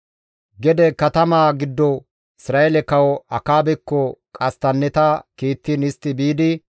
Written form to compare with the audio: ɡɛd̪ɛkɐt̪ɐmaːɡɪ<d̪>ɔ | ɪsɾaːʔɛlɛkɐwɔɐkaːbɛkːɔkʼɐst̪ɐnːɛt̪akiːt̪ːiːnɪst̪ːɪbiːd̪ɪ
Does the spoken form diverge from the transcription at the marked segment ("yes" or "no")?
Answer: yes